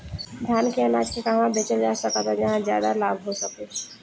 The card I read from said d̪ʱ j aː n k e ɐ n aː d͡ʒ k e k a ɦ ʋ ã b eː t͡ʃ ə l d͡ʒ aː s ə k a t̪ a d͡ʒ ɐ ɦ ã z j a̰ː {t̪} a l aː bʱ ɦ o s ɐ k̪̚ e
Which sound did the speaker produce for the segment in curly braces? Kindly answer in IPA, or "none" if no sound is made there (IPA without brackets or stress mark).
d̪